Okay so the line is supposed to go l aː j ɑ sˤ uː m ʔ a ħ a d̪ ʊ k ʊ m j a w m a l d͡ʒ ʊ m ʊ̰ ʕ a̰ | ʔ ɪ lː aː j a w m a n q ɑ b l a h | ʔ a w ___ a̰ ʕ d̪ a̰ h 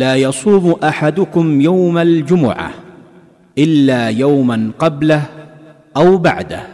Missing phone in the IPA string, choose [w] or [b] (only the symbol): b